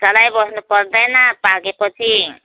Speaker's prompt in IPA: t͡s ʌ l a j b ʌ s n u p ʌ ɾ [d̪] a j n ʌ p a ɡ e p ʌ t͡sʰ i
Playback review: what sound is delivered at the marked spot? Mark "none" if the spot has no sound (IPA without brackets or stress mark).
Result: d̪